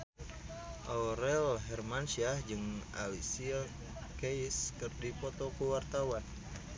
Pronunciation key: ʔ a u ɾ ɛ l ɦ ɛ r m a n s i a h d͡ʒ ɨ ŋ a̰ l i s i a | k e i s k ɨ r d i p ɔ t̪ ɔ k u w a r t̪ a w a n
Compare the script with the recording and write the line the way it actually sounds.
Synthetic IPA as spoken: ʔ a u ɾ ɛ l ɦ ɛ r m a n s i a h d͡ʒ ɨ ŋ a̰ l i s i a | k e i s k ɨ r d i p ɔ t̪ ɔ k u w a r t̪ a w a n